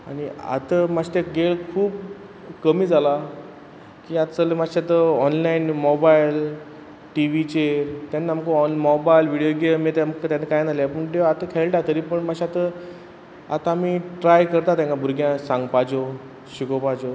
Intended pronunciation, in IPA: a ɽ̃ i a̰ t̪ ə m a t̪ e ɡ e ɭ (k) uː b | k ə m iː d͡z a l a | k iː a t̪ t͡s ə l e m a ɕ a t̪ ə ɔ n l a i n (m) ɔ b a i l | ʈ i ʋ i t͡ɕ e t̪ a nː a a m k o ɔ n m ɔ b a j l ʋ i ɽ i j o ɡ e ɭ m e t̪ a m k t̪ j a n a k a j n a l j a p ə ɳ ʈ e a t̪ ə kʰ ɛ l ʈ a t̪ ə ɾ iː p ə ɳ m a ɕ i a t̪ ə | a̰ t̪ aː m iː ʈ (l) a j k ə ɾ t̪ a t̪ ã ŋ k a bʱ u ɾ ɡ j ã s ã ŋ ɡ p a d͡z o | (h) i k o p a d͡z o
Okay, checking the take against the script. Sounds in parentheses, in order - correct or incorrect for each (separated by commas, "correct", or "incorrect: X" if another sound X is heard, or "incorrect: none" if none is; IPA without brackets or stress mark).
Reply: incorrect: kʰ, correct, incorrect: ɾ, incorrect: ɕ